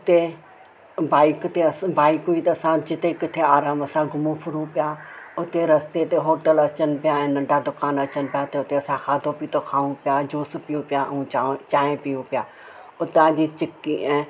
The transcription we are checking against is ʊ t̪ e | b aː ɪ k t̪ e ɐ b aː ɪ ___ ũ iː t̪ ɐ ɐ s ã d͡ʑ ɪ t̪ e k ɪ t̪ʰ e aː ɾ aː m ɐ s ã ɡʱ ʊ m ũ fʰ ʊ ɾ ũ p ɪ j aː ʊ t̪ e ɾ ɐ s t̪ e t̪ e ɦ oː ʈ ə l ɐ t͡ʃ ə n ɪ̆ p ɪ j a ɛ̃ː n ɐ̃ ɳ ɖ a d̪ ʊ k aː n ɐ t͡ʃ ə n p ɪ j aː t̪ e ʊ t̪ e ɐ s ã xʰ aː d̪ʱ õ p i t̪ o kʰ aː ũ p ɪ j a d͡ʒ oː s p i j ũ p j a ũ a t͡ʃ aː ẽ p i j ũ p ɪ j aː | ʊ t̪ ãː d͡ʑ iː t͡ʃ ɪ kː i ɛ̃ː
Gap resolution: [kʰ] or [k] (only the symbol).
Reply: k